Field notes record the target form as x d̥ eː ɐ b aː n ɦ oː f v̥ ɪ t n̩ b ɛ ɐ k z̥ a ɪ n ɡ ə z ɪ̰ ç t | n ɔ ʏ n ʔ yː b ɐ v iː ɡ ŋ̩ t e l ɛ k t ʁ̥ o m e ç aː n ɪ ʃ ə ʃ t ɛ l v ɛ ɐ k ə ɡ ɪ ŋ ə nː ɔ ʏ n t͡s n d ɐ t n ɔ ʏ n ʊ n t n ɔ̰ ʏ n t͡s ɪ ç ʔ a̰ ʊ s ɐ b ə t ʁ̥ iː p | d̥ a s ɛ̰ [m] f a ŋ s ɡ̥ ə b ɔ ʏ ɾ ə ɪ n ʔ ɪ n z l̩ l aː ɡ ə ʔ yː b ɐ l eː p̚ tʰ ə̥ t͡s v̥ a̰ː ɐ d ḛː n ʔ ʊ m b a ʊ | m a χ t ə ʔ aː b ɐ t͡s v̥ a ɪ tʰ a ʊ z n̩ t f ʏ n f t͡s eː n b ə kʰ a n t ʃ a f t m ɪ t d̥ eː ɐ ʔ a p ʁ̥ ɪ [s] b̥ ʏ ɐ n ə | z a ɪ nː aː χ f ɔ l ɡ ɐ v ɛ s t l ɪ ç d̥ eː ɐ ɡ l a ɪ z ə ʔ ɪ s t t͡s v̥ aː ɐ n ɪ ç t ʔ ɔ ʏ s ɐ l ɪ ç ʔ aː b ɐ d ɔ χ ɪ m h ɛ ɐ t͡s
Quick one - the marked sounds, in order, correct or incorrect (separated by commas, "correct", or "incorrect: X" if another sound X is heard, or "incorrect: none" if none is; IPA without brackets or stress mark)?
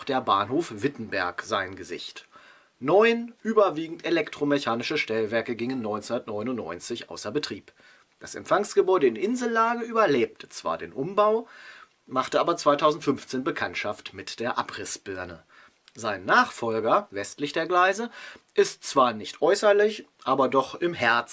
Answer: correct, correct